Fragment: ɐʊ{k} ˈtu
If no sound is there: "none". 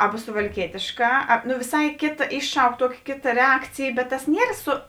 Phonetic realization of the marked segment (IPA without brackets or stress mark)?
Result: k